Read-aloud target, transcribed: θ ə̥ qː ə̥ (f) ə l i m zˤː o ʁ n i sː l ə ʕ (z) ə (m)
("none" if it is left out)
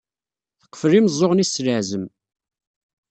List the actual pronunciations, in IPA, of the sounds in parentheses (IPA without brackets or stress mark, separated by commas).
f, z, m